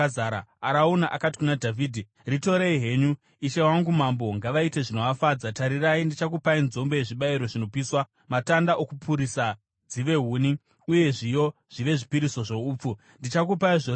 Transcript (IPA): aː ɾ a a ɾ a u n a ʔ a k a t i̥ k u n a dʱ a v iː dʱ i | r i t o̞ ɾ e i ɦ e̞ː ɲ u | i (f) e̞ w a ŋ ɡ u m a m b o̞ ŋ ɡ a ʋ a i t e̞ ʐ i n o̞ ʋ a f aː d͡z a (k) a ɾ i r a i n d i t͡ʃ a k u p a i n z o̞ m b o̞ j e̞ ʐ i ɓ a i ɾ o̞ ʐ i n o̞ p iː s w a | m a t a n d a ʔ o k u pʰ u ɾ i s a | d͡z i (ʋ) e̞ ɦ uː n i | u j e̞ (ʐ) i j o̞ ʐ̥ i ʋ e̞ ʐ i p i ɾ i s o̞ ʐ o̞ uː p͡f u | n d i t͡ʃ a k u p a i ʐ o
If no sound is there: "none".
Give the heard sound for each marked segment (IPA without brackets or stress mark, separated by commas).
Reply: ʃ, t, ʋ, ʐ